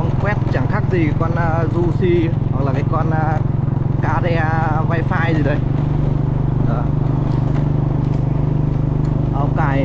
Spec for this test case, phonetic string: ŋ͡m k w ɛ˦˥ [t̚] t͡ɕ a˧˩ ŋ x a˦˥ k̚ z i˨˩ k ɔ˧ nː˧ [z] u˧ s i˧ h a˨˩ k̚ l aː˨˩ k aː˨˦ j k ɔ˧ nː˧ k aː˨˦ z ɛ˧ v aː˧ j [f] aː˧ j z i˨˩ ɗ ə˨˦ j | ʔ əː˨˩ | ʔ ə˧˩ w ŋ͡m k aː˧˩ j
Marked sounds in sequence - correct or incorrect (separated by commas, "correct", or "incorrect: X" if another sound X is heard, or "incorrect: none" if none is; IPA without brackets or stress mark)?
correct, correct, correct